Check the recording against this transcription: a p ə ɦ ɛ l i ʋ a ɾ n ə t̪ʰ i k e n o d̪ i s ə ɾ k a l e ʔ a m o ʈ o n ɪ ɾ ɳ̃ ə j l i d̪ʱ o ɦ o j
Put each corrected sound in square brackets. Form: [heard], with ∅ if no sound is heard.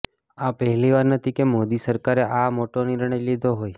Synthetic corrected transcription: a p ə ɦ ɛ l i ʋ a ɾ n ə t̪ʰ i k e [m] o d̪ i s ə ɾ k a [ɾ] e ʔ a m o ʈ o n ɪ ɾ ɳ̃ ə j l i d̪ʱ o ɦ o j